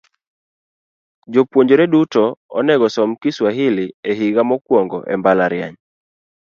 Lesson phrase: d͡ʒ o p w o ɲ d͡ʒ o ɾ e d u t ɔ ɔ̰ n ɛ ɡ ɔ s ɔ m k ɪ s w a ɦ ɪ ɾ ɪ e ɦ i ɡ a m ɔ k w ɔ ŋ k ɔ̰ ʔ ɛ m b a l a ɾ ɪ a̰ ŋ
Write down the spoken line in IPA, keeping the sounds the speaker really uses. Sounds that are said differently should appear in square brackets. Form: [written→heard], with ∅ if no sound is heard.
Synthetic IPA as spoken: d͡ʒ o p w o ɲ d͡ʒ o ɾ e d u t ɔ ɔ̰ n ɛ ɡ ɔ s ɔ m k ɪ s w a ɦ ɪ [ɾ→l] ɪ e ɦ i ɡ a m ɔ k w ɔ ŋ [k→ɡ] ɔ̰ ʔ ɛ m b a l a ɾ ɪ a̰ [ŋ→ɲ]